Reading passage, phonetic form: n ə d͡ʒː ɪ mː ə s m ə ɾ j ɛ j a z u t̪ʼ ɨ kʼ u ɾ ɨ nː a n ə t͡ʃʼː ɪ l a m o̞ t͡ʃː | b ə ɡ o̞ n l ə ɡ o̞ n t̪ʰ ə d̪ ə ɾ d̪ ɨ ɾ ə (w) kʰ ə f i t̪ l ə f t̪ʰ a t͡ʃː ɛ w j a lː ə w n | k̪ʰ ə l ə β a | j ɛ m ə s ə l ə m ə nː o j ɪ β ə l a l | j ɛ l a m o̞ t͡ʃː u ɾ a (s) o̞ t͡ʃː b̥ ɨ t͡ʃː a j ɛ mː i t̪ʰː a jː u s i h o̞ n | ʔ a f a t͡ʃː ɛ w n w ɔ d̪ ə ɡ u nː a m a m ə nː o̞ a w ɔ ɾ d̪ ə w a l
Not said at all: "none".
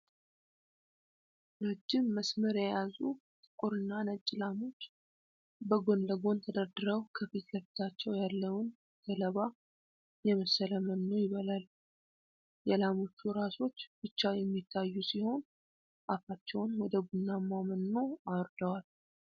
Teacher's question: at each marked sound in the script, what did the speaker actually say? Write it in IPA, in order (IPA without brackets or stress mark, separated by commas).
w, s